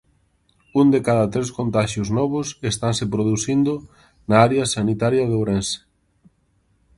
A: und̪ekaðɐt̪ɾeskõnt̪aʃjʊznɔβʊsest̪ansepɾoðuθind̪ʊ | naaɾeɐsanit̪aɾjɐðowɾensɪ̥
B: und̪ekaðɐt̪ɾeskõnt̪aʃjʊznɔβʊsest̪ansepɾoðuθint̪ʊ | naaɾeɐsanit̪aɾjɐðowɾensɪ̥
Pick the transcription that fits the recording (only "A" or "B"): A